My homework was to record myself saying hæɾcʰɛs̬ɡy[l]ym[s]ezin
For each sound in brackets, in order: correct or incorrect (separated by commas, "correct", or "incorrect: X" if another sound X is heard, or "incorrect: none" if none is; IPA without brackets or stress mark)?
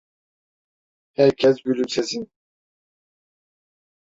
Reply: correct, correct